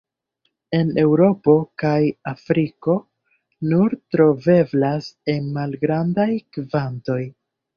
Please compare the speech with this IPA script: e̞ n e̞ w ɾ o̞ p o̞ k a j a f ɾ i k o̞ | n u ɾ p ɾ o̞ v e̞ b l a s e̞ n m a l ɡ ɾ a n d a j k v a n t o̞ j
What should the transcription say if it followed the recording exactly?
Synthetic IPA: e̞ n e̞ w ɾ o̞ p o̞ k a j a f ɾ i k o̞ | n u ɾ t ɾ o̞ v e̞ b l a s e̞ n m a l ɡ ɾ a n d a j k v a n t o̞ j